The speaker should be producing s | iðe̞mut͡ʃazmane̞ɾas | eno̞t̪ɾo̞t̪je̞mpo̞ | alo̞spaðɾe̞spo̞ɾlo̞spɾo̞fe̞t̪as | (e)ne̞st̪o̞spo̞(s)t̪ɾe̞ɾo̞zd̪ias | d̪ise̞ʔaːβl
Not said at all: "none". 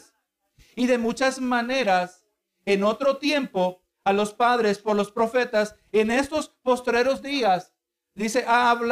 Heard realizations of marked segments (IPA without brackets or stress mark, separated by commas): e, s